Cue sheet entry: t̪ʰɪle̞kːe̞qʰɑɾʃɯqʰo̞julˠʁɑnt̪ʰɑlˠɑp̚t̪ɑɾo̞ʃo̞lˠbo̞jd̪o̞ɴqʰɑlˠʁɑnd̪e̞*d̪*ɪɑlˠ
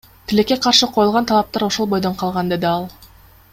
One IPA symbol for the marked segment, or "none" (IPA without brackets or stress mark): d̪